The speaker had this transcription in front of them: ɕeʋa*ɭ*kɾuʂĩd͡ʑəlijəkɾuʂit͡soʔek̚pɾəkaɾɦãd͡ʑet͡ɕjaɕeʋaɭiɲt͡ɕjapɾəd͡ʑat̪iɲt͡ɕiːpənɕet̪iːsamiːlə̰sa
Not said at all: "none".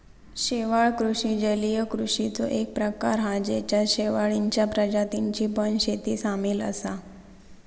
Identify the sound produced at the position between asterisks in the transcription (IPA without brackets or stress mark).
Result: ɭ